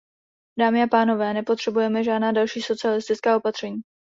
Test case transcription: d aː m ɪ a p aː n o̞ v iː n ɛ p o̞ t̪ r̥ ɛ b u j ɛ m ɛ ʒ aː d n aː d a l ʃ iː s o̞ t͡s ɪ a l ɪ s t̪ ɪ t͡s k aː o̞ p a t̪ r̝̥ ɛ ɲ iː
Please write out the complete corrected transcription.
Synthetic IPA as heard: d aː m ɪ a p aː n o̞ v ɛː n ɛ p o̞ t̪ r̥ ɛ b u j ɛ m ɛ ʒ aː d n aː d a l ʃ iː s o̞ t͡s ɪ a l ɪ s t̪ ɪ t͡s k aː o̞ p a t̪ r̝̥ ɛ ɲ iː